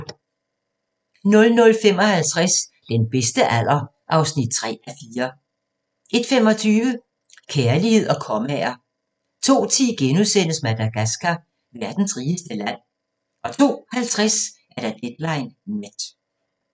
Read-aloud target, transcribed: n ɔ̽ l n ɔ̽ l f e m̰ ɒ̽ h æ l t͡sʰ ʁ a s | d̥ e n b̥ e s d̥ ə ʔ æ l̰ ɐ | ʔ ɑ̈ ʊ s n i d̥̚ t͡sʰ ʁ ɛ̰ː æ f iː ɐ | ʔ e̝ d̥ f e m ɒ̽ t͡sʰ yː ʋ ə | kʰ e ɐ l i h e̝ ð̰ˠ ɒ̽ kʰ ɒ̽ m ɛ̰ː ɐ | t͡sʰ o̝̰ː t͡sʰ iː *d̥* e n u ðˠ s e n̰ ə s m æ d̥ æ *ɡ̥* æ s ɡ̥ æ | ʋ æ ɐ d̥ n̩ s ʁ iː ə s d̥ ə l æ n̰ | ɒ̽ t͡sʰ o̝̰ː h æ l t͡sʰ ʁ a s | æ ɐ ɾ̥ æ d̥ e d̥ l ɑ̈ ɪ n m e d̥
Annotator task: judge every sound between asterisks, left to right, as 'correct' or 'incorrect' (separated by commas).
incorrect, correct